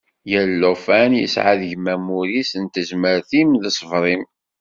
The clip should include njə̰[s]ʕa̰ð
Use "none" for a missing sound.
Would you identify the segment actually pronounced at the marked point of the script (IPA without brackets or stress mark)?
s